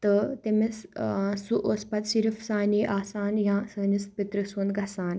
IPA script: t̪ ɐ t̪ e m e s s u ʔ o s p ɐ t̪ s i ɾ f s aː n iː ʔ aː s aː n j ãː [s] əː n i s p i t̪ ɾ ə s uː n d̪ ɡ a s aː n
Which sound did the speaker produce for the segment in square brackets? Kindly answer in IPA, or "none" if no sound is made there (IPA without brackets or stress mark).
s